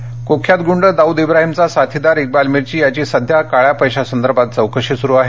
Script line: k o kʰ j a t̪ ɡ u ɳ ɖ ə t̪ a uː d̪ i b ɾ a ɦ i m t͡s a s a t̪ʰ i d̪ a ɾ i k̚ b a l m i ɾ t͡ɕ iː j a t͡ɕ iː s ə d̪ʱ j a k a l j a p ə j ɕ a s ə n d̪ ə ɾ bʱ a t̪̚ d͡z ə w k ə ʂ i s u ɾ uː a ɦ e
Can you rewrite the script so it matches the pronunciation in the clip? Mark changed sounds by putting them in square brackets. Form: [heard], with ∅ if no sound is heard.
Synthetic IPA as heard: k o kʰ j a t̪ ɡ u ɳ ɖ ə [d̪] a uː d̪ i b ɾ a ɦ i m t͡s a s a t̪ʰ i d̪ a ɾ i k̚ b a l m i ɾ t͡ɕ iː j a t͡ɕ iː s ə d̪ʱ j a k a [ɭ] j a p ə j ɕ a s ə n d̪ ə ɾ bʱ a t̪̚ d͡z ə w k ə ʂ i s u ɾ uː a ɦ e